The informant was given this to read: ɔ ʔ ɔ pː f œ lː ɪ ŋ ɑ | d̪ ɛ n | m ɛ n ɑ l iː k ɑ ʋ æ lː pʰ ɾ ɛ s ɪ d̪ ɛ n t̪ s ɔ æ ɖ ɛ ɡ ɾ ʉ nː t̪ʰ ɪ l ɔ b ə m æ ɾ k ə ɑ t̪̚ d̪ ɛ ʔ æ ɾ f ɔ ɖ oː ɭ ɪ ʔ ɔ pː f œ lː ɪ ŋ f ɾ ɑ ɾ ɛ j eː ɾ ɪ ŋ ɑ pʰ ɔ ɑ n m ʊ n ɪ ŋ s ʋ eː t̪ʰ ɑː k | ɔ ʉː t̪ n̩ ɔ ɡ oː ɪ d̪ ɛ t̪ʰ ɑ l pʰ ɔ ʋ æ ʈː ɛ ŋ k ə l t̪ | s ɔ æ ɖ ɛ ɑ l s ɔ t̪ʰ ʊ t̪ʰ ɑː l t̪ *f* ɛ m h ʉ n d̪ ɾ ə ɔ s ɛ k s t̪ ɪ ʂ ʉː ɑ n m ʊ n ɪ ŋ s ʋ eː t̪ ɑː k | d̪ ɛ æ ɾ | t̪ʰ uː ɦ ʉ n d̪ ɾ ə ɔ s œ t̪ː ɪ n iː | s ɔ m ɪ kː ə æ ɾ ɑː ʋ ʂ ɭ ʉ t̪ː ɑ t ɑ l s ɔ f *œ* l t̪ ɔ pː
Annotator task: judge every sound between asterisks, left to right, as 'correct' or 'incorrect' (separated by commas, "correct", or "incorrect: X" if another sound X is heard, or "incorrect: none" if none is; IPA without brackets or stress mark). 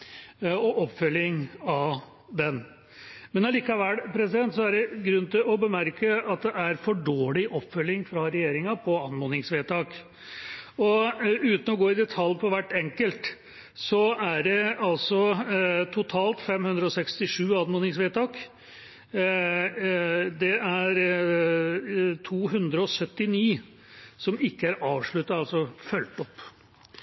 correct, correct